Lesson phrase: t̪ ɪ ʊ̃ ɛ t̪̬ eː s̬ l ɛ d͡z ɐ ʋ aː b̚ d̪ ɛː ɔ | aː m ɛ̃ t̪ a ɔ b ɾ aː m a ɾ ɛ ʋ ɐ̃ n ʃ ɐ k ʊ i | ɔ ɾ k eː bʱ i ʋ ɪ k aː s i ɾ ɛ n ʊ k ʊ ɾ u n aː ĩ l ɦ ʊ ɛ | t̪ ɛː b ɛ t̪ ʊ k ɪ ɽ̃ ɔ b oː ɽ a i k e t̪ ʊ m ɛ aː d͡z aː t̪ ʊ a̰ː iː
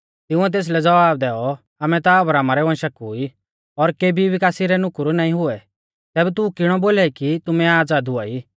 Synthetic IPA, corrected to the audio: t̪ ɪ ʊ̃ ɛ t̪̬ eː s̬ l ɛ d͡z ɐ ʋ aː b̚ d̪ ɛː ɔ | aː m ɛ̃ t̪ a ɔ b ɾ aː m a ɾ ɛ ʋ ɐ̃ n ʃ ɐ k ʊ i | ɔ ɾ k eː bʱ i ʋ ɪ k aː s i ɾ ɛ n ʊ k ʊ ɾ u n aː ĩ ɦ ʊ ɛ | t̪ ɛː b ɛ t̪ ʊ k ɪ ɽ̃ ɔ b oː l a i k i t̪ ʊ m ɛ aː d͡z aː d̪ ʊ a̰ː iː